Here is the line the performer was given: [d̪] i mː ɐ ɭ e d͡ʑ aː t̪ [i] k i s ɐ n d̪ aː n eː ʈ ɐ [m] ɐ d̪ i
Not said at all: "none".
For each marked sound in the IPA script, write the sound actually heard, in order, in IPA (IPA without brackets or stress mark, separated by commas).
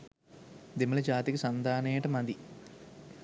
d̪, i, m